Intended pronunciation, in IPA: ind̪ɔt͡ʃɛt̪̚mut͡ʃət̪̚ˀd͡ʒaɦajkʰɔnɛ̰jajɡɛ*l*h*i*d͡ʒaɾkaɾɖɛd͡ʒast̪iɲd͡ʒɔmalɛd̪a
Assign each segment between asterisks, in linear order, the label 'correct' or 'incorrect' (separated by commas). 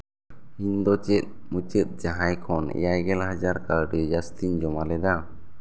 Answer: correct, incorrect